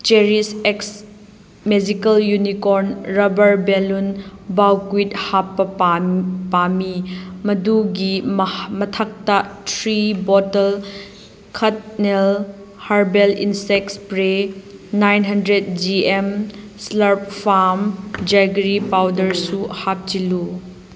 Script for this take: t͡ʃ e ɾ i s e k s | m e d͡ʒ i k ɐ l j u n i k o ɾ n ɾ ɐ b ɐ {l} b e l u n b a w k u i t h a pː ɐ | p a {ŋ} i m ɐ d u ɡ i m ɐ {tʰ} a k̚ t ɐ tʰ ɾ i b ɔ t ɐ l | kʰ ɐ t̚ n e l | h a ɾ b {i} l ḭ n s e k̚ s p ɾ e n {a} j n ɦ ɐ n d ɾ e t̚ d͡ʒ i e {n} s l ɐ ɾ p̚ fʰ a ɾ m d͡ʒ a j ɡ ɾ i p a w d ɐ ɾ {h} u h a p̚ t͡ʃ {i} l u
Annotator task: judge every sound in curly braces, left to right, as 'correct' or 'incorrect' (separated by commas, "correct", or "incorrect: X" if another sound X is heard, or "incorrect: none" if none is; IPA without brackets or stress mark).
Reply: incorrect: ɾ, incorrect: m, correct, incorrect: e, correct, incorrect: m, incorrect: s, correct